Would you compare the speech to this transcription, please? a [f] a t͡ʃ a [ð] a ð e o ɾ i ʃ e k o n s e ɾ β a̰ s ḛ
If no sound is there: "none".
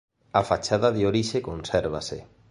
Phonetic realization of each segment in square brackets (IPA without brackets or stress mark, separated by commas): f, ð